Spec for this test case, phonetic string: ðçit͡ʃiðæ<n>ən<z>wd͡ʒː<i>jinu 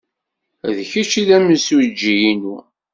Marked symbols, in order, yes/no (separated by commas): no, no, yes